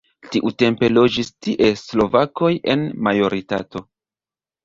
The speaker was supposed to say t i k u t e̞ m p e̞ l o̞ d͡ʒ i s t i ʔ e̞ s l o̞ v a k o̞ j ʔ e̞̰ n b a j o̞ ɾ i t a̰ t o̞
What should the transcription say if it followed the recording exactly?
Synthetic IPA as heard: t i ʔ u t e̞ m p e̞ l o̞ d͡ʒ i s t i ʔ e̞ s l o̞ v a k o̞ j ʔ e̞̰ n m a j o̞ ɾ i t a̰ t o̞